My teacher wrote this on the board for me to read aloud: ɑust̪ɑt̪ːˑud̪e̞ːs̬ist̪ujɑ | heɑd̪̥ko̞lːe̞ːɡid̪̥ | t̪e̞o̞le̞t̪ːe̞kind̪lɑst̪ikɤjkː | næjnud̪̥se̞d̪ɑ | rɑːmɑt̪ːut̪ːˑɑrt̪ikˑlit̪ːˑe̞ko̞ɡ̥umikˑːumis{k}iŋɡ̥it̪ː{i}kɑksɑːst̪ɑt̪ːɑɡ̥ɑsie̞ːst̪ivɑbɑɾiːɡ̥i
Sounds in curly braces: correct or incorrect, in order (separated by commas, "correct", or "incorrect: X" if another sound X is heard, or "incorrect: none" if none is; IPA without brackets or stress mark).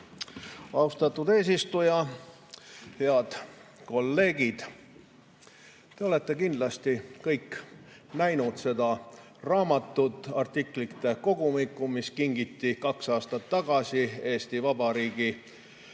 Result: correct, correct